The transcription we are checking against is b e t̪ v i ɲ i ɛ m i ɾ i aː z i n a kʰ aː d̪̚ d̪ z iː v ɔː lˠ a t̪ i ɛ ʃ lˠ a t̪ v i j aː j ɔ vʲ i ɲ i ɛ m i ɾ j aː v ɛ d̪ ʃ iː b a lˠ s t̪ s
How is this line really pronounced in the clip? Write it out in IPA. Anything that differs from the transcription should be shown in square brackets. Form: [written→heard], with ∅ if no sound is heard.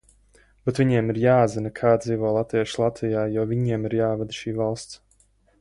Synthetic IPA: b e t̪ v i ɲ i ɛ m i ɾ [i→j] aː z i n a kʰ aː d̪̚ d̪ z iː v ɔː lˠ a t̪ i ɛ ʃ lˠ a t̪ v i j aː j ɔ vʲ i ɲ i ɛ m i ɾ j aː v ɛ d̪ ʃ iː [b→v] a lˠ s t̪ s

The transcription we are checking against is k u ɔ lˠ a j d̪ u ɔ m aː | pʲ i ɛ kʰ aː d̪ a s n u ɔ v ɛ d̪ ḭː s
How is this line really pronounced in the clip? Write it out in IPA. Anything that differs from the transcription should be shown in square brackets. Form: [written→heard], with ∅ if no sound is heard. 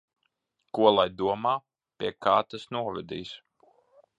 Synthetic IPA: k u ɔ lˠ a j d̪ u ɔ m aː | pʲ i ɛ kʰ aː [d̪→t̪] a s n u ɔ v ɛ d̪ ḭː s

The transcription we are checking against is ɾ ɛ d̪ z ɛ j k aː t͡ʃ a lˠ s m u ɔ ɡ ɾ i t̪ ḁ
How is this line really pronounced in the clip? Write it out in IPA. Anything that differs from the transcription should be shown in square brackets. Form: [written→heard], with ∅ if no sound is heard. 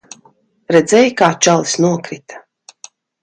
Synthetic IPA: ɾ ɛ d̪ z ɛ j k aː t͡ʃ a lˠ s [m→n] u ɔ [ɡ→k] ɾ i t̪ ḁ

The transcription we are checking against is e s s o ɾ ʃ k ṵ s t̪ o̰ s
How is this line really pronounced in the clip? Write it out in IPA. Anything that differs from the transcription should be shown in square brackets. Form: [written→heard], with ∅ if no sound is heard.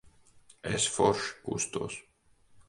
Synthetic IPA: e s [s→f] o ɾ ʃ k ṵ s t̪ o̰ s

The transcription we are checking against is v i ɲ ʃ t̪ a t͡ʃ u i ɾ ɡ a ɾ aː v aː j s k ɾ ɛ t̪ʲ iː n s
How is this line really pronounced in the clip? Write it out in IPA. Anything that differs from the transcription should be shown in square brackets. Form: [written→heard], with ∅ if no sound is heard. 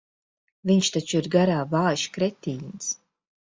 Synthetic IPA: v i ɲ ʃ t̪ a t͡ʃ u i ɾ ɡ a ɾ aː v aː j [s→ʃ] k ɾ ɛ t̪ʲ iː n s

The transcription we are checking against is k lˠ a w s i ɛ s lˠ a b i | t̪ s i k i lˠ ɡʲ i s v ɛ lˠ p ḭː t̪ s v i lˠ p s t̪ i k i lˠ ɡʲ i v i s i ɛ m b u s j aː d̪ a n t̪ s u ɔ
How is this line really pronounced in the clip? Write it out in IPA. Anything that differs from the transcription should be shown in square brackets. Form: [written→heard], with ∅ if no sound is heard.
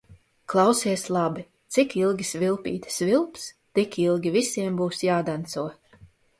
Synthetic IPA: k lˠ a w s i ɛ s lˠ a b i | t̪ s i k i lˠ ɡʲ i s v [ɛ→i] lˠ p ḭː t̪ s v i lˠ p s t̪ i k i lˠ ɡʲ i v i s i ɛ m b [u→uː] s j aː d̪ a n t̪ s u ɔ

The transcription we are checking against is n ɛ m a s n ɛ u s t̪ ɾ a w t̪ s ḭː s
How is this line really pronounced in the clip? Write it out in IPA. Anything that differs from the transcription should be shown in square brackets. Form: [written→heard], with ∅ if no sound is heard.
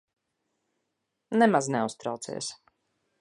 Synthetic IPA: n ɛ m a [s→z] n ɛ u s t̪ ɾ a w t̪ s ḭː s

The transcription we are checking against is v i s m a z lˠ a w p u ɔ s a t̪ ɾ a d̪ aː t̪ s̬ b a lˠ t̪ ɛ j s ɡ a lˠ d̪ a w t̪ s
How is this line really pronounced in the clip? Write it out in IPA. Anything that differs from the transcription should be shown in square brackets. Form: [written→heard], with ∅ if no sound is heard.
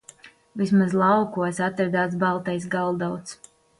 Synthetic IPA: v i s m a z lˠ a w [p→k] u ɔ s a t̪ ɾ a d̪ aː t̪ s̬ b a lˠ t̪ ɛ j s ɡ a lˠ d̪ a w t̪ s

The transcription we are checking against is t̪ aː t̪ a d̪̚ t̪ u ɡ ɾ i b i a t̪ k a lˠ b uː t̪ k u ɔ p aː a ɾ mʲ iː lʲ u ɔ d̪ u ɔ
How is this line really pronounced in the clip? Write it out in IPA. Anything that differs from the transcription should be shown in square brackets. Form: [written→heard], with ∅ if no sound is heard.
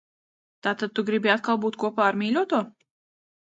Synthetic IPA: t̪ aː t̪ a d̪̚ t̪ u ɡ ɾ i b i a t̪ k a lˠ b uː t̪ k u ɔ p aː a ɾ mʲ iː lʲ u ɔ [d̪→t̪] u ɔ

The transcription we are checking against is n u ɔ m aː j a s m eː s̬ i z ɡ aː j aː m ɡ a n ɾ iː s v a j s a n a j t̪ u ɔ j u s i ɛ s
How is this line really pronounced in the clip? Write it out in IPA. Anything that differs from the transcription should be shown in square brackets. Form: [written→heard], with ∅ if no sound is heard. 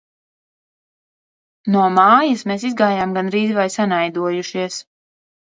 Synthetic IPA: n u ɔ m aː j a s m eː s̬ i z ɡ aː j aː m ɡ a n ɾ iː [s→z] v a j s a n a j [t̪→d̪] u ɔ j u [s→ʃ] i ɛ s

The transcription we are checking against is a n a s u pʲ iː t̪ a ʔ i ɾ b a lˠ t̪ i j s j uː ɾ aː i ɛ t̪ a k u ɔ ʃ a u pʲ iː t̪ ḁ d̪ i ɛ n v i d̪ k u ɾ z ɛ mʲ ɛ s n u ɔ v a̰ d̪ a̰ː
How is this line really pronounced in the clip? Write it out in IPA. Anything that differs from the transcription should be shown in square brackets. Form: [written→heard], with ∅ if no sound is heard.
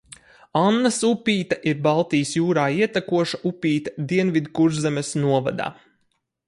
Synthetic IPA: a [n→nː] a s u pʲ iː t̪ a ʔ i ɾ b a lˠ t̪ i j s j uː ɾ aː i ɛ t̪ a k u ɔ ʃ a u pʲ iː t̪ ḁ d̪ i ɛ n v i d̪ k u ɾ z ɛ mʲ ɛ s n u ɔ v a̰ d̪ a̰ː

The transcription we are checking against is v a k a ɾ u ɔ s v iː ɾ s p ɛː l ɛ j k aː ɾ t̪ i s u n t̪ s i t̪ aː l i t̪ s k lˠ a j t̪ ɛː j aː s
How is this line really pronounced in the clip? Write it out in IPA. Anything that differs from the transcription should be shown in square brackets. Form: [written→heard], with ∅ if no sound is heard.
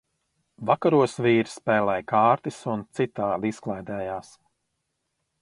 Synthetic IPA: v a k a ɾ u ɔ s v iː ɾ s p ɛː l ɛ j k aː ɾ t̪ i s u n t̪ s i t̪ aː l i [t̪→∅] s k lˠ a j [t̪→d̪] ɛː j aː s

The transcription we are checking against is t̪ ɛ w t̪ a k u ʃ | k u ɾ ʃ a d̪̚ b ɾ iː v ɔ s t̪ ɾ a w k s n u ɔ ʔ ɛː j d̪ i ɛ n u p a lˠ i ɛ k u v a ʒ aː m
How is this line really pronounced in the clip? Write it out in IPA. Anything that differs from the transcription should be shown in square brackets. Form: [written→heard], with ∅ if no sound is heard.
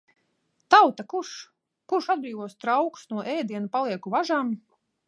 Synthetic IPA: t̪ [ɛ→a] w t̪ a k u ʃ | k u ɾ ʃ a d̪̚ b ɾ iː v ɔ s t̪ ɾ a w k s n u ɔ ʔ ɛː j d̪ i ɛ n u p a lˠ i ɛ k u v a ʒ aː m

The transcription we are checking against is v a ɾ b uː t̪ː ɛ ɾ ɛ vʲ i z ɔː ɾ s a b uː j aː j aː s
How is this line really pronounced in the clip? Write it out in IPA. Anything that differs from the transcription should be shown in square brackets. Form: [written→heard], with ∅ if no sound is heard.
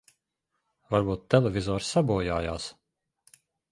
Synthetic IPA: v a ɾ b uː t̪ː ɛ [ɾ→l] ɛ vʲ i z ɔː ɾ s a b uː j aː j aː s

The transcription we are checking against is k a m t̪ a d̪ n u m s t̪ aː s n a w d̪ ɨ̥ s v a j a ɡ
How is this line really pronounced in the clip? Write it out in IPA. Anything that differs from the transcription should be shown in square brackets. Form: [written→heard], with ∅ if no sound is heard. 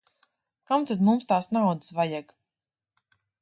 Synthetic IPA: k a m t̪ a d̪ [n→m] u m s t̪ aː s n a w d̪ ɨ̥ s v a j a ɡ

